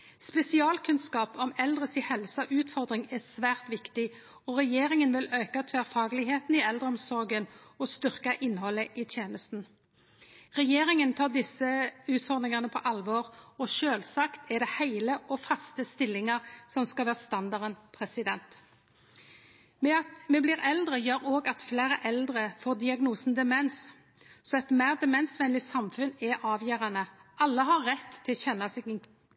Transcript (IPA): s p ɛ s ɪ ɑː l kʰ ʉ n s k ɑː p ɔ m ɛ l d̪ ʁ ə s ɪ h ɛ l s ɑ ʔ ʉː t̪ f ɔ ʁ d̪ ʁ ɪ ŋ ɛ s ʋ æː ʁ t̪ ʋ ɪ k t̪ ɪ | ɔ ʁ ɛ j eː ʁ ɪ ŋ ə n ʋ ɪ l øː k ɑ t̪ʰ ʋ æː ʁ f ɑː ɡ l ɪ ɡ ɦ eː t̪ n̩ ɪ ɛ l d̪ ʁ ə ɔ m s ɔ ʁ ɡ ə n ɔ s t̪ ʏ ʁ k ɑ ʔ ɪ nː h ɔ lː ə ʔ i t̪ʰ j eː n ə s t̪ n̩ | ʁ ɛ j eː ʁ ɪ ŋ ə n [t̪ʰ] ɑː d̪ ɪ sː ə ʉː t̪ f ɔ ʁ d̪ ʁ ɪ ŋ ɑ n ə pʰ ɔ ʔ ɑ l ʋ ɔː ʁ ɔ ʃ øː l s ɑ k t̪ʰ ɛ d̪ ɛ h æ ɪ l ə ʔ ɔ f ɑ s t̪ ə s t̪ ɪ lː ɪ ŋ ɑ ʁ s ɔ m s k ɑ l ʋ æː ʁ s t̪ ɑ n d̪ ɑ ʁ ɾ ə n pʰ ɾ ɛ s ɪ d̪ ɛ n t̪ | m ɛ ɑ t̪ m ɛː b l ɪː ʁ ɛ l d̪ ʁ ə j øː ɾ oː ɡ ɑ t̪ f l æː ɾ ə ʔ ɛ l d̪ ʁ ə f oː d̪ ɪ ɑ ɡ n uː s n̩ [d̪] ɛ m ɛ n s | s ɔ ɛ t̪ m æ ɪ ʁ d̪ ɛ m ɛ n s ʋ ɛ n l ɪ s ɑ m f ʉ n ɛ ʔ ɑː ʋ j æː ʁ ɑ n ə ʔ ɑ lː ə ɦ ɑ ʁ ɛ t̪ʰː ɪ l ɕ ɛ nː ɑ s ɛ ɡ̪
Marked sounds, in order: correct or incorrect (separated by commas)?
correct, correct